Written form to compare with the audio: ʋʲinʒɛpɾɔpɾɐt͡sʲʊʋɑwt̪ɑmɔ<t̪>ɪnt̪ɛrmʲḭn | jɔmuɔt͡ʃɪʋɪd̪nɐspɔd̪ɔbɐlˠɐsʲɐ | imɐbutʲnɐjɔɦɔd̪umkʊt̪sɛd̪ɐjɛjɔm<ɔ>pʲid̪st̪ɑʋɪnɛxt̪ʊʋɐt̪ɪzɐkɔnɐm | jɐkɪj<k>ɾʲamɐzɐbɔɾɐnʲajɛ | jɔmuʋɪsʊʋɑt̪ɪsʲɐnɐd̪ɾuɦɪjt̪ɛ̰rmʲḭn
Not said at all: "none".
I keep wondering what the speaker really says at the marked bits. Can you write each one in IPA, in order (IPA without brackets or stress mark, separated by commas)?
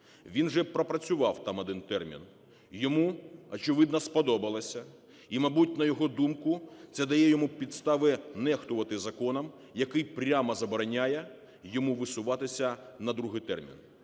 d̪, u, p